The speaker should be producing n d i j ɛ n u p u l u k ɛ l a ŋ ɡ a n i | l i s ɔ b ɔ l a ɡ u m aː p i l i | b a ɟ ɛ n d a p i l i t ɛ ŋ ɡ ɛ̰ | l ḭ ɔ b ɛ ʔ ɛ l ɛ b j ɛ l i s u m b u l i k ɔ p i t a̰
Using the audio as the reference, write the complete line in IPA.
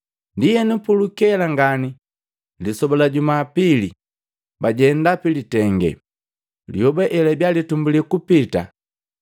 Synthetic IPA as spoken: n d i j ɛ n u p u l u k ɛ l a ŋ ɡ a n i | l i s ɔ b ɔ l a ɟ u m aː p i l i | b a ɟ ɛ n d a p i l i t ɛ ŋ ɡ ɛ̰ | l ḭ ɔ b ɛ ʔ ɛ l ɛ b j a l i t u m b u l i k u p i t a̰